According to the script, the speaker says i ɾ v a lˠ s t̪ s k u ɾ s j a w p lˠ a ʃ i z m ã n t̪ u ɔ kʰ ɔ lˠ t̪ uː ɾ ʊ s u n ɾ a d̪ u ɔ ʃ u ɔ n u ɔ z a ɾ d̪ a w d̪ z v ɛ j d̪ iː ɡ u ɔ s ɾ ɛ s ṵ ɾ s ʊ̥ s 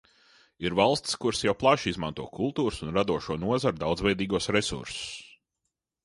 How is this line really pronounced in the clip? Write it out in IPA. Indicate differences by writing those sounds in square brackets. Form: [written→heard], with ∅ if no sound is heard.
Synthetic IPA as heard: i ɾ v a lˠ s t̪ s k u ɾ s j a w p lˠ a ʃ i z m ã n t̪ u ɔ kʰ [ɔ→u] lˠ t̪ uː ɾ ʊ s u n ɾ a d̪ u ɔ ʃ u ɔ n u ɔ z a ɾ d̪ a w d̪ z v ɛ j d̪ iː ɡ u ɔ s ɾ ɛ s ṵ ɾ s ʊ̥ s